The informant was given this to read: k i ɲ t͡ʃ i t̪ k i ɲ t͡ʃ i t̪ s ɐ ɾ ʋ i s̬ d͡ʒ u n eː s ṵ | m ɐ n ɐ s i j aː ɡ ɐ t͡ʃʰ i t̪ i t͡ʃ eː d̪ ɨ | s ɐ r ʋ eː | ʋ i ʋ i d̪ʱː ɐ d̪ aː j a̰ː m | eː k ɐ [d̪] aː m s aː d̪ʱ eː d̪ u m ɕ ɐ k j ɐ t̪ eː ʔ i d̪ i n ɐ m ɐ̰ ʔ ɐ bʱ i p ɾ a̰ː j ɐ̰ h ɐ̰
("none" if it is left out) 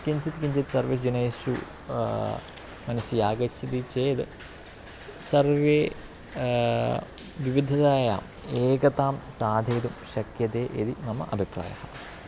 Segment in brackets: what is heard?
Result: t̪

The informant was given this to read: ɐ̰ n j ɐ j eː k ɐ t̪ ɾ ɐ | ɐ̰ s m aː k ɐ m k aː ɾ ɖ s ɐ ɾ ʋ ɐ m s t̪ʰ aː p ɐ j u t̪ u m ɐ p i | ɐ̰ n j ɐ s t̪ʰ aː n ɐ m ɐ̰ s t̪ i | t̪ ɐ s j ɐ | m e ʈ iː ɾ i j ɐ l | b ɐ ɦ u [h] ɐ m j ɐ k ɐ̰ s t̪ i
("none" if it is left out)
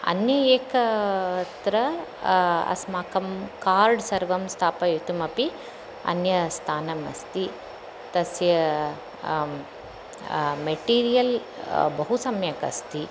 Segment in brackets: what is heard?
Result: s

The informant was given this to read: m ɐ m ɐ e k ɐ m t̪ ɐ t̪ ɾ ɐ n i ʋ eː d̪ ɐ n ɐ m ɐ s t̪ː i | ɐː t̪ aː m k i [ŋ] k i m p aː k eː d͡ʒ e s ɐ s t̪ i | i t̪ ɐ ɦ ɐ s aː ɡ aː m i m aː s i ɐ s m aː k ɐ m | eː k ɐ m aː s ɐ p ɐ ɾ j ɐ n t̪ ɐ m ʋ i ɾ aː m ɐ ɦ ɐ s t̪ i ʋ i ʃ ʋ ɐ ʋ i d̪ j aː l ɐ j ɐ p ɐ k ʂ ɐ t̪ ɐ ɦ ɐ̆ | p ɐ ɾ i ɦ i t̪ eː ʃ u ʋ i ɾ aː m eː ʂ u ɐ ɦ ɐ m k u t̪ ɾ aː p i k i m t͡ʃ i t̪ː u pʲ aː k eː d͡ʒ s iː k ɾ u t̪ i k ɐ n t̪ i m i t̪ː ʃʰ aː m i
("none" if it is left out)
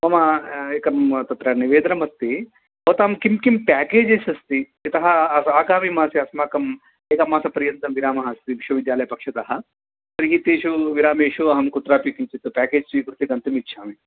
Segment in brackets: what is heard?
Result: m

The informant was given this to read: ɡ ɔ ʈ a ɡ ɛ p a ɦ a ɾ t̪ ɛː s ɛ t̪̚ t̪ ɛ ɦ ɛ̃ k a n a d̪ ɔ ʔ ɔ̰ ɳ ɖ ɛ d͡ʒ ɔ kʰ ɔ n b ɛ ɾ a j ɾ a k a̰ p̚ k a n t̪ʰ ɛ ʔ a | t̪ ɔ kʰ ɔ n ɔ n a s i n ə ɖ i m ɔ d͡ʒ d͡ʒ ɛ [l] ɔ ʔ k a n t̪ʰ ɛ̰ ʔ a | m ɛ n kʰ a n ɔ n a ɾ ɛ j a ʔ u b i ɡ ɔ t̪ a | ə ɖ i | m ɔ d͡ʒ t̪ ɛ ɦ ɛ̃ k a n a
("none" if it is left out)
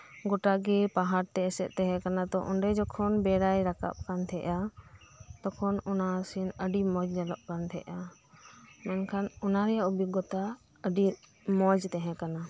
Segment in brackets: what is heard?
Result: l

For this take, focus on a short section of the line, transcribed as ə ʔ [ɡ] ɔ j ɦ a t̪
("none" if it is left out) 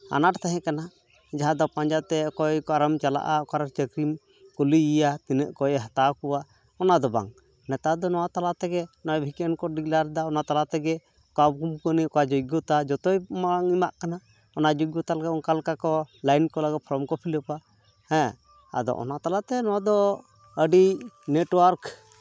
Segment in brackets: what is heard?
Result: k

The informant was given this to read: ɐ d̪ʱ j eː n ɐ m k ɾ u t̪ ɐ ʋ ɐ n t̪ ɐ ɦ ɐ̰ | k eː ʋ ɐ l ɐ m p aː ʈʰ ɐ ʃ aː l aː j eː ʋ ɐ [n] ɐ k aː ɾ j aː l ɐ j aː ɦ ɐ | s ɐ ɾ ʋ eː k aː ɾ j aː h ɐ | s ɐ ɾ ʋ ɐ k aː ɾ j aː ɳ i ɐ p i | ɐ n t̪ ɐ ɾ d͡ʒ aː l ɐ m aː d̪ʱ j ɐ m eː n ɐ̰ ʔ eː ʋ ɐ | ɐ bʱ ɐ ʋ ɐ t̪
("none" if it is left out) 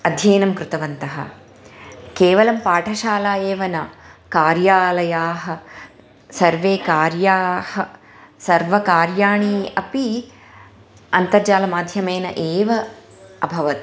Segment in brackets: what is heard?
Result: n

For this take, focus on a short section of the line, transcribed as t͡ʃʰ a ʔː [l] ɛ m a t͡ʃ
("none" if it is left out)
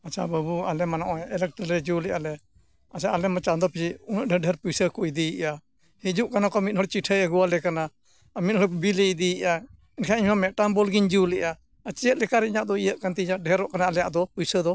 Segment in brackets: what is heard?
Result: l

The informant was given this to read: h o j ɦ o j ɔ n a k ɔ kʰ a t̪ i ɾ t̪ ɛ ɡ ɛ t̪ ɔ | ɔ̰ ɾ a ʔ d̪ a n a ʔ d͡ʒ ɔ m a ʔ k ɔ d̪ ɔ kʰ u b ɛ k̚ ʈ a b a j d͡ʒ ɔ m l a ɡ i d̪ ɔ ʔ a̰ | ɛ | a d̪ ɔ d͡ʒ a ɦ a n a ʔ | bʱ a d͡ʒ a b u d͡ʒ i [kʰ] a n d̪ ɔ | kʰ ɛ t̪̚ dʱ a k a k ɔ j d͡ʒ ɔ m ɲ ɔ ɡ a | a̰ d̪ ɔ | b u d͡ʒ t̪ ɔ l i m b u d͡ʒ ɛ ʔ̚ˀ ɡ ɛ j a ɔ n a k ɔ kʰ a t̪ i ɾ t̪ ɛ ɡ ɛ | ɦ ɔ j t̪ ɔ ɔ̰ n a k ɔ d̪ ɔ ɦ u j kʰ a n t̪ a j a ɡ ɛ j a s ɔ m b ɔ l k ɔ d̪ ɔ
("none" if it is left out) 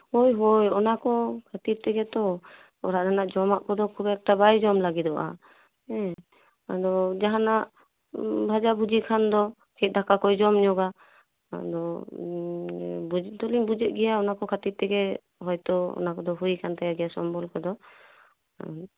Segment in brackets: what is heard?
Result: kʰ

